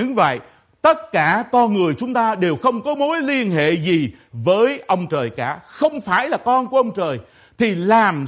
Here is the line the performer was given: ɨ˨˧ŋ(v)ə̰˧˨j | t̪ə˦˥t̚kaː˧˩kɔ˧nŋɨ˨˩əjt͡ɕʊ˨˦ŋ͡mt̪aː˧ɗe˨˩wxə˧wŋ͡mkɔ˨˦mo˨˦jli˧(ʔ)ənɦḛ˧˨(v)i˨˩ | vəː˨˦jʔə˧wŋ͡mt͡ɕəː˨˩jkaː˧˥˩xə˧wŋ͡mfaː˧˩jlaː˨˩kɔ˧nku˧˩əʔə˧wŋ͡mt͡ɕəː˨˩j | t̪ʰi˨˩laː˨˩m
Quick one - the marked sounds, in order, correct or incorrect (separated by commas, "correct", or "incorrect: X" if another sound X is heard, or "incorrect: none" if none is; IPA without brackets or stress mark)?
correct, incorrect: none, incorrect: z